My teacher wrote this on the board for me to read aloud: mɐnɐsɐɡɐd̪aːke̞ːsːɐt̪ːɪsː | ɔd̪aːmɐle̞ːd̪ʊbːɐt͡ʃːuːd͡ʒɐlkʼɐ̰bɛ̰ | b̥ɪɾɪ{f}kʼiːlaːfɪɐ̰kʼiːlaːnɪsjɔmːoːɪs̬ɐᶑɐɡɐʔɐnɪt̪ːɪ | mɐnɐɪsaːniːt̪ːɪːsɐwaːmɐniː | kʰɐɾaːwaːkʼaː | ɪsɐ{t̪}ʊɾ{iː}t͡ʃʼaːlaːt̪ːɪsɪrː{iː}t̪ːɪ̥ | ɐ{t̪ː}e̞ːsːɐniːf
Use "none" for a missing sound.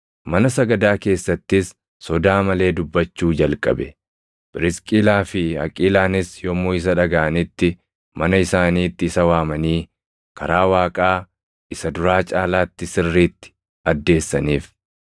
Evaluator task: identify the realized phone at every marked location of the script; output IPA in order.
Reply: s, d̪, aː, iː, d̪ː

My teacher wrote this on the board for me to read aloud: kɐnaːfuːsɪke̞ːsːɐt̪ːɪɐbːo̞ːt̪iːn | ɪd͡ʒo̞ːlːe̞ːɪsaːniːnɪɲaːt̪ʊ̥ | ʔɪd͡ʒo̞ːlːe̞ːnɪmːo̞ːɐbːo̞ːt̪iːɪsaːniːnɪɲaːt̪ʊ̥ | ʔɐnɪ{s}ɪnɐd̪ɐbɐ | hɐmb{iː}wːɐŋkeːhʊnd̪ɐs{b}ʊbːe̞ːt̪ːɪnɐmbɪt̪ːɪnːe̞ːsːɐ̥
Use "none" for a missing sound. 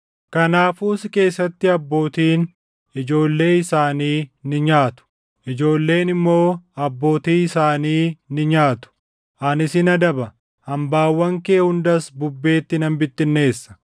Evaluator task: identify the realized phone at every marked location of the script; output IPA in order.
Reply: s, aː, b

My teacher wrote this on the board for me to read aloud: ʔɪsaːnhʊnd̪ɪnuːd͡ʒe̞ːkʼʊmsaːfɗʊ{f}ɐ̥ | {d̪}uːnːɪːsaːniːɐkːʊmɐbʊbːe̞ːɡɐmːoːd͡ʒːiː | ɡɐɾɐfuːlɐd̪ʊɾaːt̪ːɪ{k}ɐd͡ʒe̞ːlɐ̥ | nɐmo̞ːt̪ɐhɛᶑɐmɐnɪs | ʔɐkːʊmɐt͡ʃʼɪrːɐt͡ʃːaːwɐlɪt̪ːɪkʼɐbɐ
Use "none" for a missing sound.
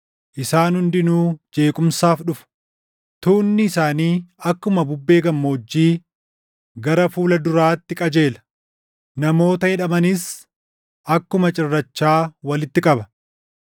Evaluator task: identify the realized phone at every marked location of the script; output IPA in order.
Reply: f, t̪, kʼ

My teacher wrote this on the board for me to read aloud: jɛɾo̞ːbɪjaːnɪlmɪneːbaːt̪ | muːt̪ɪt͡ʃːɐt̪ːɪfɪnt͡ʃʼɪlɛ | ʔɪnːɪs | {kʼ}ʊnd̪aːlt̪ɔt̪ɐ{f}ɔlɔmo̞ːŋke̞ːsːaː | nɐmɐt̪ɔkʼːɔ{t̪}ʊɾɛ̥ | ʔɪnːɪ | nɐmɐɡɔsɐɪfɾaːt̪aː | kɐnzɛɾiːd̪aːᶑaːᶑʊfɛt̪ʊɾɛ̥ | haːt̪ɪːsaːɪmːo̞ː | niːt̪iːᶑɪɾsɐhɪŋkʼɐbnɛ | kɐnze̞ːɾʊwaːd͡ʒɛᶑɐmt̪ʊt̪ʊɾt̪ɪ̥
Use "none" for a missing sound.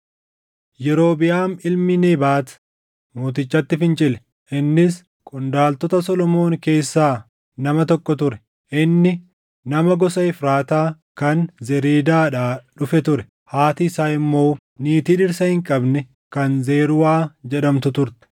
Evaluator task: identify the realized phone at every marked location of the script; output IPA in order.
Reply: kʼ, s, t̪

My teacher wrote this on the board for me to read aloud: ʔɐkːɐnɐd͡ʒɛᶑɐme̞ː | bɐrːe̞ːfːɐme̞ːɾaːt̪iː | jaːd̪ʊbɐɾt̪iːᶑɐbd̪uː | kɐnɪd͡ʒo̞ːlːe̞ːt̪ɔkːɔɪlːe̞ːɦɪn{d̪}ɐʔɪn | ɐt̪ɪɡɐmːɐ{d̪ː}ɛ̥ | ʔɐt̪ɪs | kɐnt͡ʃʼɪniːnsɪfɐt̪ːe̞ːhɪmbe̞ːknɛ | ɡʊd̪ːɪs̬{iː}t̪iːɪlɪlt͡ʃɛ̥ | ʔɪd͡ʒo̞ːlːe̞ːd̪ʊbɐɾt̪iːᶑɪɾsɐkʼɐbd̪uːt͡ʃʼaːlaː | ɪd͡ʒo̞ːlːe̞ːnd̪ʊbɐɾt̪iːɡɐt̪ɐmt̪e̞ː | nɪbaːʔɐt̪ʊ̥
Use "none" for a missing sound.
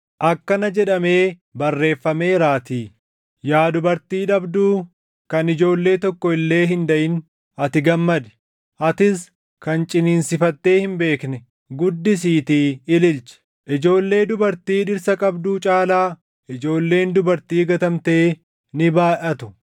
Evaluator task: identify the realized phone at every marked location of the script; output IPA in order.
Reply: d̪, d̪, iː

